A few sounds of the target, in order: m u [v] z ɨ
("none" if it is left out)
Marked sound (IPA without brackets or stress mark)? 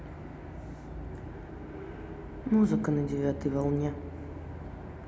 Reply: none